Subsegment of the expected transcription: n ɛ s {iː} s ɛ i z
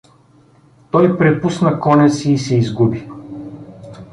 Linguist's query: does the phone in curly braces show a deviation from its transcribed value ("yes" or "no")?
no